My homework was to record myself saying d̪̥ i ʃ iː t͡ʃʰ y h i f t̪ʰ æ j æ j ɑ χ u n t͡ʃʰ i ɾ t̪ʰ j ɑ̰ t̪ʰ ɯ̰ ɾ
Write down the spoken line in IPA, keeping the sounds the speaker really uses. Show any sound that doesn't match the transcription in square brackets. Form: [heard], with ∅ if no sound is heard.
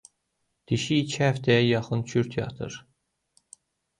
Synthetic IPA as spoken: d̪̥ i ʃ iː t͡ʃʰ [i] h [æ] f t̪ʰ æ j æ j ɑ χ [ɯ] n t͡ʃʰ [y] ɾ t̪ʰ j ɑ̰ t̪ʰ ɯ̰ ɾ